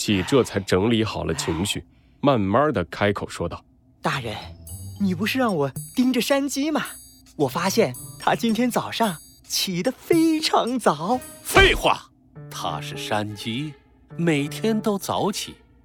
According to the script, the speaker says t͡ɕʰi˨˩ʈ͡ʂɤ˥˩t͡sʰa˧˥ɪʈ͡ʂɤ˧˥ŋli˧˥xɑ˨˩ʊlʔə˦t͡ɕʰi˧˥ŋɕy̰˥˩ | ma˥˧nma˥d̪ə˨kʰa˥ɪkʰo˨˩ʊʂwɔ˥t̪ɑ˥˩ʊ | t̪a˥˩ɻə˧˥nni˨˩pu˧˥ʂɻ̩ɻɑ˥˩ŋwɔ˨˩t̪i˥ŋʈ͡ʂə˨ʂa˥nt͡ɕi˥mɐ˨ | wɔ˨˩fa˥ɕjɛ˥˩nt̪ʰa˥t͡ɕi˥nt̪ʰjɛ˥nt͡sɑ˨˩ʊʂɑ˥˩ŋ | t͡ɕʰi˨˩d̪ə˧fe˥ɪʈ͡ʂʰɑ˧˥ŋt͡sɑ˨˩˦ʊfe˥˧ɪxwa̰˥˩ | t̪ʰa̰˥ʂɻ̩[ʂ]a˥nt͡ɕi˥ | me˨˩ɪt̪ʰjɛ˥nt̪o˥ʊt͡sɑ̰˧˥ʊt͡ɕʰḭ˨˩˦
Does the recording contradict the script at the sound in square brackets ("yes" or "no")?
no